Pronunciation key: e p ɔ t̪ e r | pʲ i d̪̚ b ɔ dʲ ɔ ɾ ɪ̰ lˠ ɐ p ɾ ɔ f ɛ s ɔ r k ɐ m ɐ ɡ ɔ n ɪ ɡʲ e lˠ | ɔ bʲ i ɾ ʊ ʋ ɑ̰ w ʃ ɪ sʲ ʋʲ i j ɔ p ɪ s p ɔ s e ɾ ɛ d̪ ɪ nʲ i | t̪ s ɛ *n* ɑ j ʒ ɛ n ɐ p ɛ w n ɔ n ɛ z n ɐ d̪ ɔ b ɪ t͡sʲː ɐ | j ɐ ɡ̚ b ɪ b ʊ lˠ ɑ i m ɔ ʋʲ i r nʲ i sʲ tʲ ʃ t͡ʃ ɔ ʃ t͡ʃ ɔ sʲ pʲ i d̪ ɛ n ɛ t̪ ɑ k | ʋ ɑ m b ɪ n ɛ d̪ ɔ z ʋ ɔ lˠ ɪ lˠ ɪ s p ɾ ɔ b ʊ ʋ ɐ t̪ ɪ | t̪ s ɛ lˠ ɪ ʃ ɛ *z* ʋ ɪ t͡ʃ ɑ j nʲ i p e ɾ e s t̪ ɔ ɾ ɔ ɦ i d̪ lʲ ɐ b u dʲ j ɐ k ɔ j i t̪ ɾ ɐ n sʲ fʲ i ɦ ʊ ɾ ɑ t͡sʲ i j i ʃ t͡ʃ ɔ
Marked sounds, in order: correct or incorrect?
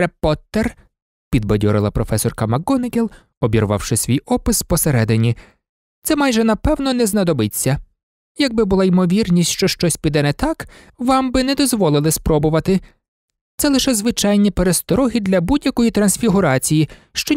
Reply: incorrect: m, correct

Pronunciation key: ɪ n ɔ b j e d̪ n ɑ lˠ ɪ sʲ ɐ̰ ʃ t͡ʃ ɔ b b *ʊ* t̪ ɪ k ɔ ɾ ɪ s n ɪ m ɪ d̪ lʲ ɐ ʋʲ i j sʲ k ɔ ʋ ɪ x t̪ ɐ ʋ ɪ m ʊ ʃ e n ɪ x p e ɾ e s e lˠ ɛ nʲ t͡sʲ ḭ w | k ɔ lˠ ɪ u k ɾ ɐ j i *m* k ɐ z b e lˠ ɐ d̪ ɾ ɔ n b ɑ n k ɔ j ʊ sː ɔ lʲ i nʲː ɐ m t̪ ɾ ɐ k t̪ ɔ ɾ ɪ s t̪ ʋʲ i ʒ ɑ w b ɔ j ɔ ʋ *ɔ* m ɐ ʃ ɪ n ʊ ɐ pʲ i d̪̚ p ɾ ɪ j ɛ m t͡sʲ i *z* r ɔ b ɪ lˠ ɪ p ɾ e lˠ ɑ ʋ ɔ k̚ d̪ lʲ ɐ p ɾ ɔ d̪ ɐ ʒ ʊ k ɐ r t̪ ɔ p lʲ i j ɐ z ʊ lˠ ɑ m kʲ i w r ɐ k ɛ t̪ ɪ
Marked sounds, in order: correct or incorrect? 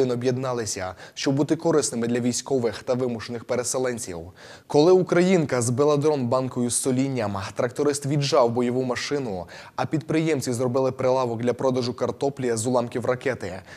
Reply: incorrect: u, incorrect: n, incorrect: u, correct

